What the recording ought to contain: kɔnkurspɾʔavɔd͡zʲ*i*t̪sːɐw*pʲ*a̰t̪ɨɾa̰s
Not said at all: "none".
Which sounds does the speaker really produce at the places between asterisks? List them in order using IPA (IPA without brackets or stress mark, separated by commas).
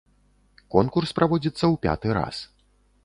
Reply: i, pʲ